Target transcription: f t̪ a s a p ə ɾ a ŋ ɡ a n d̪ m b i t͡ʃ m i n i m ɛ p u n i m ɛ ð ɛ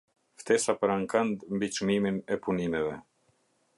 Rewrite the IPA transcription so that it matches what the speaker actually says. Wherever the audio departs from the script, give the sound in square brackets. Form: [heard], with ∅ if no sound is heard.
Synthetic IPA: f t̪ [ɛ] s a p ə ɾ a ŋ [k] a n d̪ m b i t͡ʃ m i [m] i [n] ɛ p u n i m ɛ [v] ɛ